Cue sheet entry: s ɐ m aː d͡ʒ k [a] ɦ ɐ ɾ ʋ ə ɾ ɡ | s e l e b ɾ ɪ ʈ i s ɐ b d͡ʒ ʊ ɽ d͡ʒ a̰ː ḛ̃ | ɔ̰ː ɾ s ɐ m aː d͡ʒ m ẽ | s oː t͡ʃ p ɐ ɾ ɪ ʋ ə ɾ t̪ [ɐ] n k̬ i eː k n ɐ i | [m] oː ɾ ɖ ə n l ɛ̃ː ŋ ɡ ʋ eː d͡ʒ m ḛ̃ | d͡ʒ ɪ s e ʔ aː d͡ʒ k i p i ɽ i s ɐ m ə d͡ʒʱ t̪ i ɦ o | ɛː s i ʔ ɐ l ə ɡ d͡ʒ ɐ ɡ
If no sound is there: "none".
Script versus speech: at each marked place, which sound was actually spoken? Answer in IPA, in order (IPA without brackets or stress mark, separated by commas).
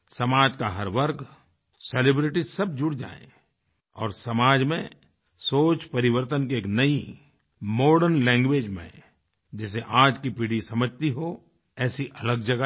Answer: a, ə, m